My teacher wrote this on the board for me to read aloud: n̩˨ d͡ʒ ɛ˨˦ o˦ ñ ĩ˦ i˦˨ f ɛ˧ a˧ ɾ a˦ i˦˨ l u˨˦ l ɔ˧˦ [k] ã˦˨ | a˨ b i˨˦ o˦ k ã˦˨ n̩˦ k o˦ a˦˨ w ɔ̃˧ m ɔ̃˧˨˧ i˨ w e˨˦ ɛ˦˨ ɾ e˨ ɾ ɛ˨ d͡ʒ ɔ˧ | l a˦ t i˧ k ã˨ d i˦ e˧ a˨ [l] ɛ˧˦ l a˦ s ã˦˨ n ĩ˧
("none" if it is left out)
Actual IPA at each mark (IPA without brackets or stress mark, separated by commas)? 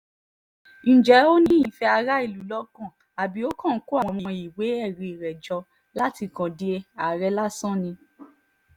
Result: k, ɾ